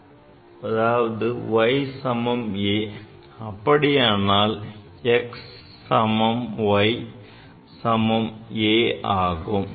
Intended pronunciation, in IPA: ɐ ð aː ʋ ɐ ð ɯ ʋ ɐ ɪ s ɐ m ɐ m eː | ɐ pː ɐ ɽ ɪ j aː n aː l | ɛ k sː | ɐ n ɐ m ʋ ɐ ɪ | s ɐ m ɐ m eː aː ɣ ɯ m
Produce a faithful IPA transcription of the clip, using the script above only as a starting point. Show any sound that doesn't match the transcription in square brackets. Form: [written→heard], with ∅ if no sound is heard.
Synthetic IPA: ɐ ð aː ʋ ɐ ð ɯ ʋ ɐ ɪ s ɐ m ɐ m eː | ɐ pː ɐ ɽ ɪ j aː n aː l | ɛ k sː | ɐ [n→m] ɐ m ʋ ɐ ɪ | s ɐ m ɐ m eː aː ɣ ɯ m